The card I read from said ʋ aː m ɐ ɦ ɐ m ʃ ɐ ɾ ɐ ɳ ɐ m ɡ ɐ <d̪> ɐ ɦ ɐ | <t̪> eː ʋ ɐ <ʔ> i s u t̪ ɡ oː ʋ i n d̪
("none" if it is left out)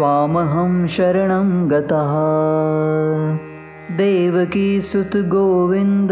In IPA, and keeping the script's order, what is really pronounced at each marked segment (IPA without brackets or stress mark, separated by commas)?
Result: t̪, d̪, k